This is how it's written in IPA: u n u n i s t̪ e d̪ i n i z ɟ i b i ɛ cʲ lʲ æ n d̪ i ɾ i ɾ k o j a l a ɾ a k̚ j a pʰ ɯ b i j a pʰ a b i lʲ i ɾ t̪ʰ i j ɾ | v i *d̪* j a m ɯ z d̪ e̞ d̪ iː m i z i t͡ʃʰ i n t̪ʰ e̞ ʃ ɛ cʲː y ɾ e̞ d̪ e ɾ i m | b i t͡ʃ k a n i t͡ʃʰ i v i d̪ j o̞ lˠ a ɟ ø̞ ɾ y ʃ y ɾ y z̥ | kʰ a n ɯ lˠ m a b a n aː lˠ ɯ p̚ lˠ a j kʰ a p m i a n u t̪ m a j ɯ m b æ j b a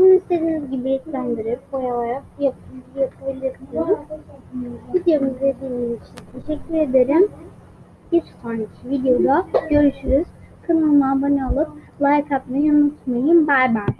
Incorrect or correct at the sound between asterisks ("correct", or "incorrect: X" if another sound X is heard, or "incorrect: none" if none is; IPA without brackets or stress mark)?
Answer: correct